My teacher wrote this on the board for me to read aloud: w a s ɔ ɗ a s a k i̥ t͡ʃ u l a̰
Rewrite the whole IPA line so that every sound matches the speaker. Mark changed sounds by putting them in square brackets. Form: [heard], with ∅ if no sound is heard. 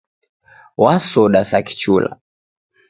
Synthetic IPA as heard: w a s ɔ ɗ a s a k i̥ t͡ʃ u l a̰